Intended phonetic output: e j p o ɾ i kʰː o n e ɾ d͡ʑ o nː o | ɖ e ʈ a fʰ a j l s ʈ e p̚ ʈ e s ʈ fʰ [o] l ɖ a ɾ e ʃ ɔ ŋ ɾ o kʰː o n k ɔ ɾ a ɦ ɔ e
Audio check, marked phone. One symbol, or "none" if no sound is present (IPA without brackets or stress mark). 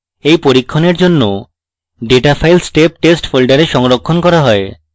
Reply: o